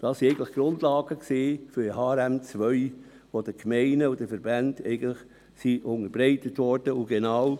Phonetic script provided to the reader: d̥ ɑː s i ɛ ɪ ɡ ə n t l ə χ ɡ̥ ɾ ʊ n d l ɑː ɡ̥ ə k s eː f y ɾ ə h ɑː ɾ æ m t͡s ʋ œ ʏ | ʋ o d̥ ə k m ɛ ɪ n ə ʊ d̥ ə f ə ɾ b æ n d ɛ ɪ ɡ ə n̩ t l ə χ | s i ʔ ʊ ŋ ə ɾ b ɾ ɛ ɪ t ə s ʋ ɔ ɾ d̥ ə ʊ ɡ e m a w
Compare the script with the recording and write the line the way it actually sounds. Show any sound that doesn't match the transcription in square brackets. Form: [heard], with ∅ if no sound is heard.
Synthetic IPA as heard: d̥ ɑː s i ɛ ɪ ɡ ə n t l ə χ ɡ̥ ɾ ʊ n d l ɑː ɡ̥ ə k s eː f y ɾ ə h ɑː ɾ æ m t͡s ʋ œ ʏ | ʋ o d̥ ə k m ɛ ɪ n ə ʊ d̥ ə f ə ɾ b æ n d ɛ ɪ ɡ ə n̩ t l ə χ | s i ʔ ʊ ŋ ə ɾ b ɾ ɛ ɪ t ə [t] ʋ ɔ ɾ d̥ ə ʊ ɡ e [n] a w

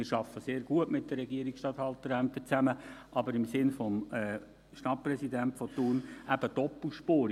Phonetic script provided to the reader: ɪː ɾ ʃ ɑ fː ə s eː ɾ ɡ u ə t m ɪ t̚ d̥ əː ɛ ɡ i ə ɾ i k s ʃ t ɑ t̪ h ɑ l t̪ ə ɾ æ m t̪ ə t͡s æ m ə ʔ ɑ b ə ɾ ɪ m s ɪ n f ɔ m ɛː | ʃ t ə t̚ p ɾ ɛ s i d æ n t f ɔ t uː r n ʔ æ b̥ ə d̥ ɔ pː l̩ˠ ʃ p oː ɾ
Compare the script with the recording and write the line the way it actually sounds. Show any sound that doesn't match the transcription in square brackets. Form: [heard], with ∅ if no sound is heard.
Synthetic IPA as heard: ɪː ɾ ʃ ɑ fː ə s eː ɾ ɡ u ə t m ɪ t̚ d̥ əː ɛ ɡ i ə ɾ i k s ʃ t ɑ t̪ h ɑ l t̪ ə ɾ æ m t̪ ə t͡s æ m ə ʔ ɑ b ə ɾ ɪ m s ɪ n f ɔ m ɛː | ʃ t [ɑ] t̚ p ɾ ɛ s i d æ n t f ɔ t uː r n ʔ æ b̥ ə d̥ ɔ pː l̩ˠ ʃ p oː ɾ

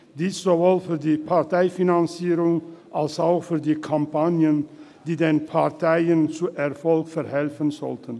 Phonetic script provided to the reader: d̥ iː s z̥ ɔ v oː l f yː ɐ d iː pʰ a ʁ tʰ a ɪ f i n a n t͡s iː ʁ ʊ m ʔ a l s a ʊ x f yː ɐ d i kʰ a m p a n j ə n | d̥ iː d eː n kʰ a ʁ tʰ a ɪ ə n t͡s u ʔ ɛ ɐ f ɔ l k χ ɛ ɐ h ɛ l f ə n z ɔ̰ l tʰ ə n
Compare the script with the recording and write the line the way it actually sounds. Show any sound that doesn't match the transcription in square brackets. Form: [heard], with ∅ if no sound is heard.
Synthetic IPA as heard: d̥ iː s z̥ [o] v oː l f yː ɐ d iː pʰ a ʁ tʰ a ɪ f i n a n t͡s iː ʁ ʊ [ŋ] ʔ a l s a ʊ x f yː ɐ d [iː] kʰ a m p a n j ə n | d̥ iː d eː n [pʰ] a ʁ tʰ a ɪ ə n t͡s u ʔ ɛ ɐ f ɔ l k [f] ɛ ɐ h ɛ l f ə n z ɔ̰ l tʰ ə n

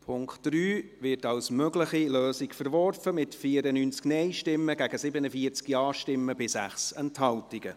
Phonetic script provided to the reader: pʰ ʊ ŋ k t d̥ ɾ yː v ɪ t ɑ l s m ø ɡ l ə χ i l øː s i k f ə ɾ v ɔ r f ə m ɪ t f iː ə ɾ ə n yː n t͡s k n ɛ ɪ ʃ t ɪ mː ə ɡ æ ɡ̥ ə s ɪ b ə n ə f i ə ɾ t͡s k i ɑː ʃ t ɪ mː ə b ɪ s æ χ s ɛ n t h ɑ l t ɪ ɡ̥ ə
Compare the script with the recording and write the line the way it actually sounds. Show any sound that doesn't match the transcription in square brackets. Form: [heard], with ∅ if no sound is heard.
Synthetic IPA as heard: pʰ ʊ ŋ k t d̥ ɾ yː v ɪ t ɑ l s m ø ɡ l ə χ i l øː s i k f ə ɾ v ɔ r f ə m ɪ t f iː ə ɾ ə n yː n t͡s k n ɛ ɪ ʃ t ɪ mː ə ɡ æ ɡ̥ ə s ɪ b ə n ə f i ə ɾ t͡s k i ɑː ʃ t ɪ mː ə b ɪ s æ χ s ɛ n t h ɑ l t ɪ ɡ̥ ə

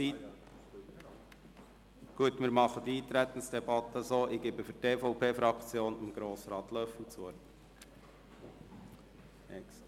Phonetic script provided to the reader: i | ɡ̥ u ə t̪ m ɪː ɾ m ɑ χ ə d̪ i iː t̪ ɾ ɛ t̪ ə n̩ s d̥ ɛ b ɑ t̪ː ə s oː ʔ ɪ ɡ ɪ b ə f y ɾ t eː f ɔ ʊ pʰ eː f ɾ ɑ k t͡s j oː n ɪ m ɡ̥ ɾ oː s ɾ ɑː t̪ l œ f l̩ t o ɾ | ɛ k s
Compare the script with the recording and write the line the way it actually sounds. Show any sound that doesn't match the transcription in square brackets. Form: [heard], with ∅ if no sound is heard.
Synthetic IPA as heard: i | ɡ̥ u ə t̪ m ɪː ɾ m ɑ χ ə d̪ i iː t̪ ɾ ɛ t̪ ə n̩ s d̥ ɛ b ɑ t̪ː ə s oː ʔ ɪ ɡ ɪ b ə f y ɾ t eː f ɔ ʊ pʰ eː f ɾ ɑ k t͡s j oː n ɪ m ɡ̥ ɾ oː s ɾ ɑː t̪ l œ f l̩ [t͡s] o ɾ | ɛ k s

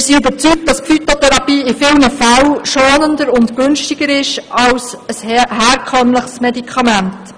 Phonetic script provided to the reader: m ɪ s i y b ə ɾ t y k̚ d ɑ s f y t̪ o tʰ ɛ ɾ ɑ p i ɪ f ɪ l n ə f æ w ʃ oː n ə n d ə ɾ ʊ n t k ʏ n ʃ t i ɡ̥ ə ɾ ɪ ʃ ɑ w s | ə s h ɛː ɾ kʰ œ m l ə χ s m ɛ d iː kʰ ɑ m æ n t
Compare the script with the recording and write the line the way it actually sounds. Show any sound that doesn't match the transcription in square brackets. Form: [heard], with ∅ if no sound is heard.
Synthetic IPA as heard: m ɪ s i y b ə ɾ [t͡s] y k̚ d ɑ s f y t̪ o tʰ ɛ ɾ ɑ p [iː] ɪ f ɪ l n ə f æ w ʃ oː n ə n d ə ɾ ʊ n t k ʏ n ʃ t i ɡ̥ ə ɾ ɪ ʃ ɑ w s | ə s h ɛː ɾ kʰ œ m l ə χ s m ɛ d [i] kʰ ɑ m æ n t

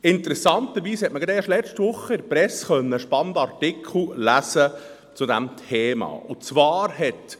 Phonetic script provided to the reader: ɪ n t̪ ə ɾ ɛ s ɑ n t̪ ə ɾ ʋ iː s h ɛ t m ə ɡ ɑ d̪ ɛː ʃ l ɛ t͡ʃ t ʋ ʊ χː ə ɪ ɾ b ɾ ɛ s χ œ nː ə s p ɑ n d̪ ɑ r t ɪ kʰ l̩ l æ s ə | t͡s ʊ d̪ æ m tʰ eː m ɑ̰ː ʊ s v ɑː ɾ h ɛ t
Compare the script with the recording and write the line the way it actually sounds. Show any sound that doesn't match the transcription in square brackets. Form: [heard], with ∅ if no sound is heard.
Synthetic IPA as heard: ɪ n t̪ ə ɾ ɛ s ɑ n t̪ ə ɾ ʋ iː s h ɛ t m ə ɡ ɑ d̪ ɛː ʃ l ɛ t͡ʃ t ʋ ʊ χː ə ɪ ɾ [p] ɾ ɛ s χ œ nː ə [ʃ] p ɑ n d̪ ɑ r t ɪ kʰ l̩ l æ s ə | t͡s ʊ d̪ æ m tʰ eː m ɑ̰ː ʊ [t͡s] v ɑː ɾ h ɛ t

